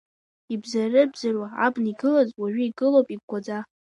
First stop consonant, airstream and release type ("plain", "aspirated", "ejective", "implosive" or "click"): plain